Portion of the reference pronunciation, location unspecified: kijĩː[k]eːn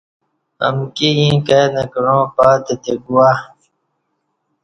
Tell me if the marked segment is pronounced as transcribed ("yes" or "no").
yes